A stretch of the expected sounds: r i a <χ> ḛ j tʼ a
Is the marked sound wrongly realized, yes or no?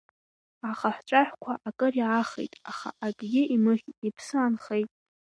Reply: no